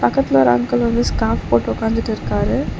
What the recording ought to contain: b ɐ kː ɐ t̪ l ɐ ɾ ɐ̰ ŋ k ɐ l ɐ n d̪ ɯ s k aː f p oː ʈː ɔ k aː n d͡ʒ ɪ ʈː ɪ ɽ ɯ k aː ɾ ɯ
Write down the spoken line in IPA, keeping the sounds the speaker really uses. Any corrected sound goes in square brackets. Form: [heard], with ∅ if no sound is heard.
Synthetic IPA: [p] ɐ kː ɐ t̪ l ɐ ɾ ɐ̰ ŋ k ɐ l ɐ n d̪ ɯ s k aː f p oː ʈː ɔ k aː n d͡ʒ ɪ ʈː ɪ [ɾ] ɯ k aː ɾ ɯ

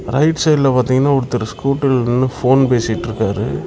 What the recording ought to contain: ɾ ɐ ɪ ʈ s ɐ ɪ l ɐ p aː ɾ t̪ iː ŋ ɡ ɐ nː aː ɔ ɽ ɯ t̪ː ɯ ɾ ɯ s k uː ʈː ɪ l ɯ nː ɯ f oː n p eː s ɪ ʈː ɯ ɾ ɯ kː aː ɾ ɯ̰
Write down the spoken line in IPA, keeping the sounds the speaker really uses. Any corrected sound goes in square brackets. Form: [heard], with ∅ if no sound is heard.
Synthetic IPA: ɾ ɐ ɪ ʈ s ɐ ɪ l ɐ p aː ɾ t̪ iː ŋ ɡ ɐ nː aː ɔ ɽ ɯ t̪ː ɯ ɾ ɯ s k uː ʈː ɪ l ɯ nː ɯ f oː n p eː s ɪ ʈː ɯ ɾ ɯ kː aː ɾ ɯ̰

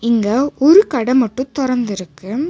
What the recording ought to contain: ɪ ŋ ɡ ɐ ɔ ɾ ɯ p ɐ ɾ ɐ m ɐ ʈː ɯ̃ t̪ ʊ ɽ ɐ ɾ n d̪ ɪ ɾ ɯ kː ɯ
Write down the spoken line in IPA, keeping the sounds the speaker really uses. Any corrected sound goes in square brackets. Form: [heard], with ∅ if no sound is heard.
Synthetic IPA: ɪ ŋ ɡ ɐ ɔ ɾ ɯ [k] ɐ [ɽ] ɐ m ɐ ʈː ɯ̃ t̪ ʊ [ɾ] ɐ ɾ n d̪ ɪ ɾ ɯ kː ɯ

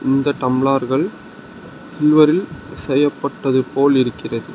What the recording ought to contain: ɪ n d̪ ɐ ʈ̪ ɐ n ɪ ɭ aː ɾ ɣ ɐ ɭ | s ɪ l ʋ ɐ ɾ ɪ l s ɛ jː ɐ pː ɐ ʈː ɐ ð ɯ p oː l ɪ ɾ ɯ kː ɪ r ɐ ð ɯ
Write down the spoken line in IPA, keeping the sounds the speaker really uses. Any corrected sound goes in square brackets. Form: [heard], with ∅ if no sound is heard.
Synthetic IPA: ɪ n d̪ ɐ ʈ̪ ɐ [m] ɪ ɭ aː ɾ ɣ ɐ ɭ | s ɪ l ʋ ɐ ɾ ɪ l s ɛ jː ɐ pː ɐ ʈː ɐ ð ɯ p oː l ɪ ɾ ɯ kː ɪ r ɐ ð ɯ

